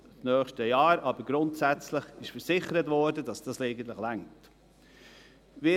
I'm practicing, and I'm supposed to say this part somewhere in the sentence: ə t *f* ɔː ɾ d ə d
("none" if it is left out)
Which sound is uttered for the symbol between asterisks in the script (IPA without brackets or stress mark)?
v